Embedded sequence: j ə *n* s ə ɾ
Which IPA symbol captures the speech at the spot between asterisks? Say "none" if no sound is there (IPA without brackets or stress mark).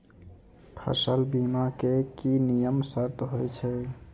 m